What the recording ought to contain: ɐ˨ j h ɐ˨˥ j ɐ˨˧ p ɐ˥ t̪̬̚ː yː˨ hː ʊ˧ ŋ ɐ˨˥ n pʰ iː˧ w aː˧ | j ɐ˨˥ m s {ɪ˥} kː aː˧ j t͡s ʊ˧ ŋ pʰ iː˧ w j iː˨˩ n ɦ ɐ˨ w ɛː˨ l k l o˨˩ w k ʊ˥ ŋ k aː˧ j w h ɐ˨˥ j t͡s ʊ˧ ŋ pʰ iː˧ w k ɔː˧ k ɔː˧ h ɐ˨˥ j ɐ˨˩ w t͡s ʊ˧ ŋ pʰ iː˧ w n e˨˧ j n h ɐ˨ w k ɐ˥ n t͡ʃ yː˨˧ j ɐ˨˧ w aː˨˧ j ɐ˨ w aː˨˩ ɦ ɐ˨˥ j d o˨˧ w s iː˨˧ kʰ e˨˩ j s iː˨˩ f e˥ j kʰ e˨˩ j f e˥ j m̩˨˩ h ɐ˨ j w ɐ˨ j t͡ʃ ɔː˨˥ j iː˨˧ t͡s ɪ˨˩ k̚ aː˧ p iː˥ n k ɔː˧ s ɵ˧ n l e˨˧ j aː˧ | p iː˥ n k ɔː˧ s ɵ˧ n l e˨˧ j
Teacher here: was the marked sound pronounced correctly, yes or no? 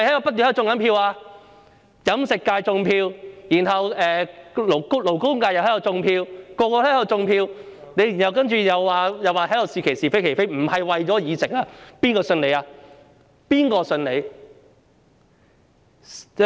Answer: no